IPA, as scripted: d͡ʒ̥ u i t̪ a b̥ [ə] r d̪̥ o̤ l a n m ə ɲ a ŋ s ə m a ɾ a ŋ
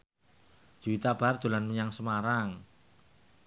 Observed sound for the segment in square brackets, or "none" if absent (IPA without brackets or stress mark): a